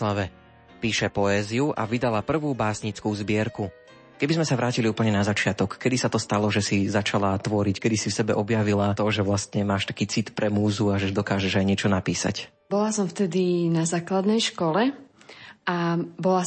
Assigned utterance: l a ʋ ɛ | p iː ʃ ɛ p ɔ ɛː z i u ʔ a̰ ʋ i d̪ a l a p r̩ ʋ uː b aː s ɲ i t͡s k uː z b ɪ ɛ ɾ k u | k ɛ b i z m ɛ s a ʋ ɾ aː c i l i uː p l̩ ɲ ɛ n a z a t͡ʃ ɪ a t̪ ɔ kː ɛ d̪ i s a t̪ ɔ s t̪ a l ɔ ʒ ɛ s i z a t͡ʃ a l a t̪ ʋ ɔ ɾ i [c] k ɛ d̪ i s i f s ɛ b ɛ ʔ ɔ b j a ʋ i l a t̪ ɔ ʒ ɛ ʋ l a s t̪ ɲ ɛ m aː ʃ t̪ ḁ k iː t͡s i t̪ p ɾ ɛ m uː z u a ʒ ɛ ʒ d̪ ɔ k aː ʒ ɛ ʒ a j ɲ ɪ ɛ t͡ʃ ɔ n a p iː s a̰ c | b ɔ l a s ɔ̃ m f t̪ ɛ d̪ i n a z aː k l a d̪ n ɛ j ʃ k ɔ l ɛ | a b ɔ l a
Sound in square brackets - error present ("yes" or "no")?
no